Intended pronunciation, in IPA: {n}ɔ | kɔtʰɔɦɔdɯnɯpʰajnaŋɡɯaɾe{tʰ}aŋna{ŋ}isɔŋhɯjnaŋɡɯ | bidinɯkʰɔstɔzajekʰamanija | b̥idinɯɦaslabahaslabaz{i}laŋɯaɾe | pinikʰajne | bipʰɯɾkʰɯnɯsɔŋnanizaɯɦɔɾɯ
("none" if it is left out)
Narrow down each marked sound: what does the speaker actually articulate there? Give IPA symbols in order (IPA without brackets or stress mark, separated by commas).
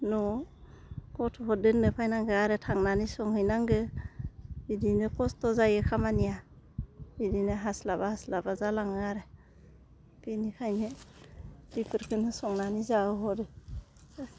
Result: n, tʰ, n, a